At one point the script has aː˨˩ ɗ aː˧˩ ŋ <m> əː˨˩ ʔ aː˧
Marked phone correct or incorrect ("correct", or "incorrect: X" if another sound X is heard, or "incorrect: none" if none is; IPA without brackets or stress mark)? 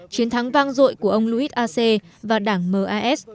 correct